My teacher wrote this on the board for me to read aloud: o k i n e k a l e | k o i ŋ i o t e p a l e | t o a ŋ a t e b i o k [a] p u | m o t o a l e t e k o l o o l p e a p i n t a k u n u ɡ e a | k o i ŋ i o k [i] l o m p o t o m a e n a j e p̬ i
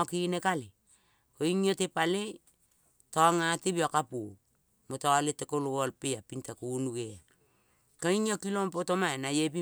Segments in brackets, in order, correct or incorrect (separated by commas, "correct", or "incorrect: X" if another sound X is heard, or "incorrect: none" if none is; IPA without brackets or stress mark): correct, correct